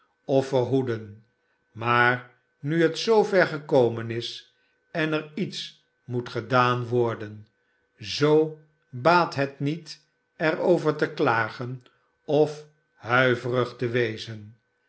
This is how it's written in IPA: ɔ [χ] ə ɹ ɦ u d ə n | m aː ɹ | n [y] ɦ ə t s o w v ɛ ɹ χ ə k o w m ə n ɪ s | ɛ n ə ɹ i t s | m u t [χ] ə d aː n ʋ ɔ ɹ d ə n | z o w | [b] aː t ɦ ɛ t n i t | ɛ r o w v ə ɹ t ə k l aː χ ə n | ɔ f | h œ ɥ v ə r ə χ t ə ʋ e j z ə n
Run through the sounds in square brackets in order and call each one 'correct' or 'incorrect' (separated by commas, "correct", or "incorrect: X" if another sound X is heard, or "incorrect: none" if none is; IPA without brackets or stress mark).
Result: incorrect: f, correct, correct, correct